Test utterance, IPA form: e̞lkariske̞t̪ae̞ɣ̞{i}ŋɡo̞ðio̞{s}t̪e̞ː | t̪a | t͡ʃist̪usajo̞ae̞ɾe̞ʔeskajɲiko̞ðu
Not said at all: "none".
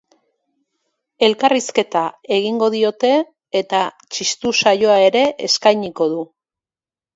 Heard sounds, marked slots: i, none

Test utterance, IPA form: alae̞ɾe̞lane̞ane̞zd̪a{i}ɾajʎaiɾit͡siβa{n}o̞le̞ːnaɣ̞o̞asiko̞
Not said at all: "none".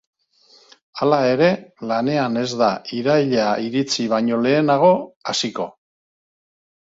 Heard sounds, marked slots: i, ɲ

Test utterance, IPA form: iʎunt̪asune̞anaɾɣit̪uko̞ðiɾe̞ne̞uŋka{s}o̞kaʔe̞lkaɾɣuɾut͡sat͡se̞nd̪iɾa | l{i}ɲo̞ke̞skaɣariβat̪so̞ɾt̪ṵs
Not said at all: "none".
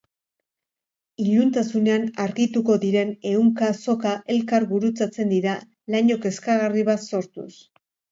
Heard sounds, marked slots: s, a

